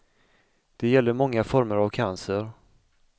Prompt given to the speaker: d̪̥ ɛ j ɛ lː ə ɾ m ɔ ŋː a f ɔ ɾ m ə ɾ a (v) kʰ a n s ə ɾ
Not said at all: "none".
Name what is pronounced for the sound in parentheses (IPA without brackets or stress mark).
v